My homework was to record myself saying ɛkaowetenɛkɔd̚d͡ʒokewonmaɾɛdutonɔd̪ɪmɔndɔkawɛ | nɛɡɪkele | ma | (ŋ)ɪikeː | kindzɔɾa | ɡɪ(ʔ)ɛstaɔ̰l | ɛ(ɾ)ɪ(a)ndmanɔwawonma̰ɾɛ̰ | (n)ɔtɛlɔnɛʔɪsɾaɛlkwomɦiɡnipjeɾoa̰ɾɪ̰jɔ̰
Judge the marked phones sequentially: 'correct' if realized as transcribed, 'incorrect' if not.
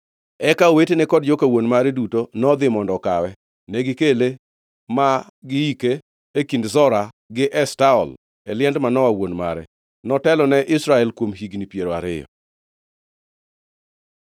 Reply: incorrect, correct, incorrect, incorrect, correct

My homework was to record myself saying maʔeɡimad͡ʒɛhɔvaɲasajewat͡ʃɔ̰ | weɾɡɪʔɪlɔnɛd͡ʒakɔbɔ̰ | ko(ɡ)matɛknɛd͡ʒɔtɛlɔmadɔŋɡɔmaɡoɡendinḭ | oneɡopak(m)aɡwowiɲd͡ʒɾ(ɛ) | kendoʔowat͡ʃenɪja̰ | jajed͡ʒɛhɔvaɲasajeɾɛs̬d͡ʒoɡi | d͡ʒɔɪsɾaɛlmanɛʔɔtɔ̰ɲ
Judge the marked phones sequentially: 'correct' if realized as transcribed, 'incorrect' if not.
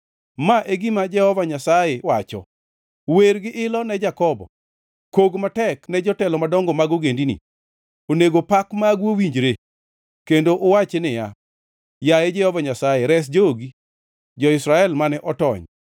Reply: correct, correct, incorrect

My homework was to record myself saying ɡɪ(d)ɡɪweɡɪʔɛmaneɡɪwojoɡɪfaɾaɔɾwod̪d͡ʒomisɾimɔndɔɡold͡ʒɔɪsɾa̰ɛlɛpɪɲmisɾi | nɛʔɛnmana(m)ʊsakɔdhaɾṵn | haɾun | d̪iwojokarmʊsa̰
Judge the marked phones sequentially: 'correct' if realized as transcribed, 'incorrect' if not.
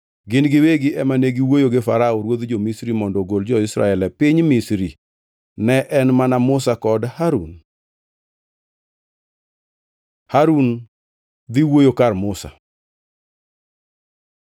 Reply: incorrect, correct

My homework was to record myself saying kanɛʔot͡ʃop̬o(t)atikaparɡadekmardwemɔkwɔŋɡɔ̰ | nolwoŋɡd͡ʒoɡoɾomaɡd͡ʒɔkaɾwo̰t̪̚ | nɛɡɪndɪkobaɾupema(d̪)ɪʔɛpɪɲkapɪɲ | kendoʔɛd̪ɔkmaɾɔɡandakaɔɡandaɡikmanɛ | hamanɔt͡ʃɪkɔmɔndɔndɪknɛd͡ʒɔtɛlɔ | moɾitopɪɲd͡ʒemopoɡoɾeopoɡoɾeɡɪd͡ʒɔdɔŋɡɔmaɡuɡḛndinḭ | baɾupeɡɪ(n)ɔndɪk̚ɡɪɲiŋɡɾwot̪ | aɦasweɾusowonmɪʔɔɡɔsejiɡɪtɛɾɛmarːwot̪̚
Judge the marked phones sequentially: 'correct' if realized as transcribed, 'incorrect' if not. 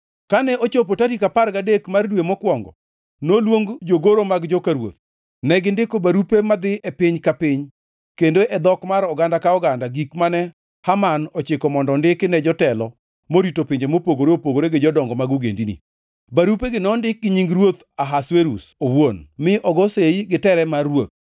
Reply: correct, correct, correct

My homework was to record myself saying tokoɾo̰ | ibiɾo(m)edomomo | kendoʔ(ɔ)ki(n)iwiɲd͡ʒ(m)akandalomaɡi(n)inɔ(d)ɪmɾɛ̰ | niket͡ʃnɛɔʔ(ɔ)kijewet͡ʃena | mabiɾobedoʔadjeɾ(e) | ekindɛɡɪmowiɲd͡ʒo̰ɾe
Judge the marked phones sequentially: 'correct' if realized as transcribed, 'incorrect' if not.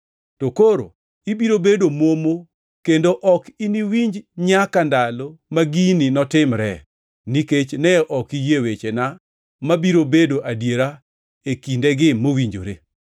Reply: incorrect, correct, correct, incorrect, correct, incorrect, correct, incorrect

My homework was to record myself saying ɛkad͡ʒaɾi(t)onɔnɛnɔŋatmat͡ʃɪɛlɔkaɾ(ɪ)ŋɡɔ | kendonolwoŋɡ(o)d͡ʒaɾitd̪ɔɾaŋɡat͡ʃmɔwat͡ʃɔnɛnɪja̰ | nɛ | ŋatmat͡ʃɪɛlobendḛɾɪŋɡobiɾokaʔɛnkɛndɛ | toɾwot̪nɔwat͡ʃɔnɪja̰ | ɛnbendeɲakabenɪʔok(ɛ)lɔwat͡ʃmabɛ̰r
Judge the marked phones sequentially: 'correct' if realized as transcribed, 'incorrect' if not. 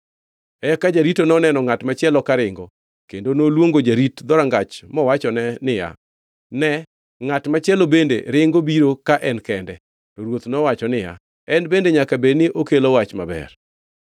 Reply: correct, correct, correct, incorrect

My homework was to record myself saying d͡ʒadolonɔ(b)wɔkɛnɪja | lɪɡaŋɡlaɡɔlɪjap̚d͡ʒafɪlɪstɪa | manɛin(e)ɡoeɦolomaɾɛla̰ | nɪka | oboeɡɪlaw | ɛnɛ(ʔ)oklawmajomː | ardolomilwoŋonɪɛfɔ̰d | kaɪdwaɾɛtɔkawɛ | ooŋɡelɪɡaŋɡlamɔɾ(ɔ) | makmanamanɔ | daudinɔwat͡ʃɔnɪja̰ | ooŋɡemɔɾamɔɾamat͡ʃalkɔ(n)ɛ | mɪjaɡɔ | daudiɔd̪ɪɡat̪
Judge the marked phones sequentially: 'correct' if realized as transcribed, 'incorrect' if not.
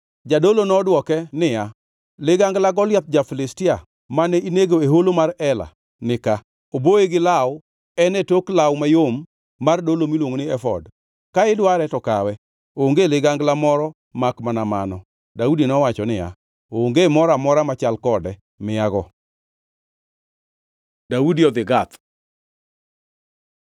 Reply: incorrect, correct, incorrect, correct, incorrect

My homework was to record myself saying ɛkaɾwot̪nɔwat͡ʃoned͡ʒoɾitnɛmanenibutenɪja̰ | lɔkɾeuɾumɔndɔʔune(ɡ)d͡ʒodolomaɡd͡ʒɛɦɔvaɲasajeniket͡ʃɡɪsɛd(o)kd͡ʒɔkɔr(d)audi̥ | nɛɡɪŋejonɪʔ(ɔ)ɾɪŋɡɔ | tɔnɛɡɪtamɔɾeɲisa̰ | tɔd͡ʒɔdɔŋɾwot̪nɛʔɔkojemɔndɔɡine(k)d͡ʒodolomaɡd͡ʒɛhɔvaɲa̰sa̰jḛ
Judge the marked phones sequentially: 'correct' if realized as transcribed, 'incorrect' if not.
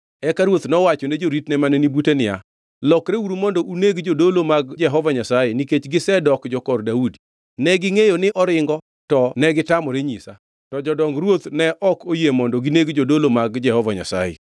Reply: correct, incorrect, correct, correct, incorrect

